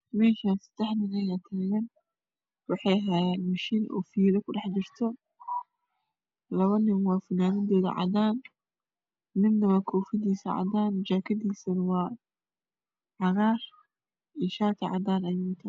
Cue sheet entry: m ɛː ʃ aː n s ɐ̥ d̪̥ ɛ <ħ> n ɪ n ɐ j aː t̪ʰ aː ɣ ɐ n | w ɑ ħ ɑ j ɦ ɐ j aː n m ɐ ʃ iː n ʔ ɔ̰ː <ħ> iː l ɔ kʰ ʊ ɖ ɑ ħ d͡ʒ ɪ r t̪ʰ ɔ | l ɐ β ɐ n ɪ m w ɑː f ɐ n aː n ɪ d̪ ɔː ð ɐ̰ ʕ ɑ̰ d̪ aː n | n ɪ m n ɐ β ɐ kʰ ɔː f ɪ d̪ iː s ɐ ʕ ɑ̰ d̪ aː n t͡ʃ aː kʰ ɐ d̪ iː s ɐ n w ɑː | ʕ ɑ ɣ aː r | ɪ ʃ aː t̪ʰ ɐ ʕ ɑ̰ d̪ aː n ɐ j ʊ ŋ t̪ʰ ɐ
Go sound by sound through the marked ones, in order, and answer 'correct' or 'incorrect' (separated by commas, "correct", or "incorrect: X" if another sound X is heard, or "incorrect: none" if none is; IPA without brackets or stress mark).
correct, incorrect: f